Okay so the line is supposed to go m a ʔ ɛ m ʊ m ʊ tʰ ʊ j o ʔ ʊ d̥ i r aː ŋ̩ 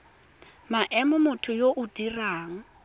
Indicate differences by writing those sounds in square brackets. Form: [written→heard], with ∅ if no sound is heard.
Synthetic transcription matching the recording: m a ʔ ɛ m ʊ m ʊ tʰ ʊ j o ʔ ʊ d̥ i r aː ŋ̩